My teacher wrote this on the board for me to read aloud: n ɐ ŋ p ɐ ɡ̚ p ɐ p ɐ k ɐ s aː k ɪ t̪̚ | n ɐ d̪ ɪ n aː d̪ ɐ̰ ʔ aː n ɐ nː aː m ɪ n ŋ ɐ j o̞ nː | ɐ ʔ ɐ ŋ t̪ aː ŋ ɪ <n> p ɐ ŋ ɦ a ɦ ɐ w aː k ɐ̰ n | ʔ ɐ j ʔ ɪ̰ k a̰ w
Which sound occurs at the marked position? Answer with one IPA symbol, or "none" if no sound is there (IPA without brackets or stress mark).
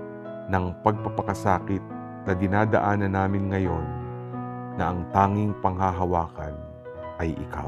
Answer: ŋ